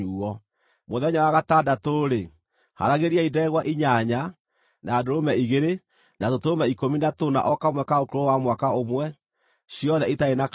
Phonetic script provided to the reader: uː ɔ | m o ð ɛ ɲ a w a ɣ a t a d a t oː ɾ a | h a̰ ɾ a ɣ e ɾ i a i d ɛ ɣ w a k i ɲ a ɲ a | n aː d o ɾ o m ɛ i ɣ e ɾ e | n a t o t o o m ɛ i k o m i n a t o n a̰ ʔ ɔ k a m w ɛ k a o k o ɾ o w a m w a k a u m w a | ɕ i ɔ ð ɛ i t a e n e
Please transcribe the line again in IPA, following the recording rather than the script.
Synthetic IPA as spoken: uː ɔ | m o ð ɛ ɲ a w a ɣ a t a d a t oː ɾ e | h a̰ ɾ a ɣ e ɾ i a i d ɛ ɣ w a ʔ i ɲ a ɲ a | n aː d o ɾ o m ɛ i ɣ e ɾ e | n a t o t o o m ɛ i k o m i n a t o n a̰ ʔ ɔ k a m w ɛ k a o k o ɾ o w a m w a k a o m w ɛ | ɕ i ɔ ð ɛ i t a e n a